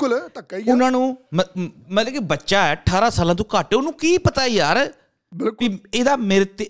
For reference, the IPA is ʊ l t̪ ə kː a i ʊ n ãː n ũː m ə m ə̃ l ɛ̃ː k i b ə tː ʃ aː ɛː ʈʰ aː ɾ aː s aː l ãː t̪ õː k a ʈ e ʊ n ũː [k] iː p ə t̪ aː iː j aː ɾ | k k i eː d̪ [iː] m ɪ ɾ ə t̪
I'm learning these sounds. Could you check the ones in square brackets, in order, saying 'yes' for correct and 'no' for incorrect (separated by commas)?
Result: yes, no